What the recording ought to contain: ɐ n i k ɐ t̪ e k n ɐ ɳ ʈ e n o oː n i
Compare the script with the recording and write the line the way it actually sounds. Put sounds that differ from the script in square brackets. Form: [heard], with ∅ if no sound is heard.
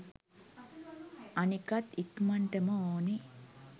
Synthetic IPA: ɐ n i k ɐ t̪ [i] k [m] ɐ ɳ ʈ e [m] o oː n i